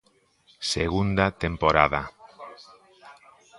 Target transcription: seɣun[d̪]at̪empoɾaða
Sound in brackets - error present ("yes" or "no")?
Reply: no